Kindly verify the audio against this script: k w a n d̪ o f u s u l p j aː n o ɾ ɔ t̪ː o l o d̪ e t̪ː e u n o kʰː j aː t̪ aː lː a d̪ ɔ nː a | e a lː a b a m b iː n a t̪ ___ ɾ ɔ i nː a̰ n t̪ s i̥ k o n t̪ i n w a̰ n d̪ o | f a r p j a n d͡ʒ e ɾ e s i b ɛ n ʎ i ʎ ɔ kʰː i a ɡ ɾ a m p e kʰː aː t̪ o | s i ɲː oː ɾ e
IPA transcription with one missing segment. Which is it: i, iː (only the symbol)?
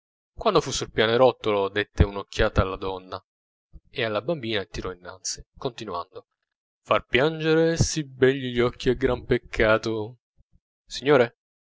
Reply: i